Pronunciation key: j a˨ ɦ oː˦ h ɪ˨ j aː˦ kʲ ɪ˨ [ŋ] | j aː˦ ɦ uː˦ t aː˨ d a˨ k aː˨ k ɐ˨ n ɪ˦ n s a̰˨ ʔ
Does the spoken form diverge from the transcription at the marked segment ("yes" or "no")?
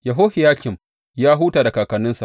yes